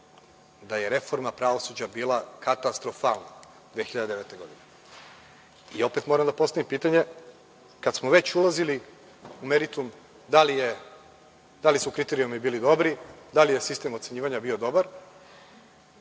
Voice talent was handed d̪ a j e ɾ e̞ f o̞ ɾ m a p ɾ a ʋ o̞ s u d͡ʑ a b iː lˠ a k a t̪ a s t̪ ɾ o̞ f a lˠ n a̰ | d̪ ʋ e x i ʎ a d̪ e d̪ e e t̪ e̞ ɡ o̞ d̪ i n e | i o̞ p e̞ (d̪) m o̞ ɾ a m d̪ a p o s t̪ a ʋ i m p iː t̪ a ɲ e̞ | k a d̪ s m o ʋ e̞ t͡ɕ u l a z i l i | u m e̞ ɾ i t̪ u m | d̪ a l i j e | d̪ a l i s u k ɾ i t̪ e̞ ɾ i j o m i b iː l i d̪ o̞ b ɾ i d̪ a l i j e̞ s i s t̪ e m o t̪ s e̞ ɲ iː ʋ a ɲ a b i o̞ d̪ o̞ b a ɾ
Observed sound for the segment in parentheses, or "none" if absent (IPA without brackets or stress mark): t̪